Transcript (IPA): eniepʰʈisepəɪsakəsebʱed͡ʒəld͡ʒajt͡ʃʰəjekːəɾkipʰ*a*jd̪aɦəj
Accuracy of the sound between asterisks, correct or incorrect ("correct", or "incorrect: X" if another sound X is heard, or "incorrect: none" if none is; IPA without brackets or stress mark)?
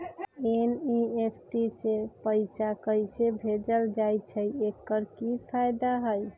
correct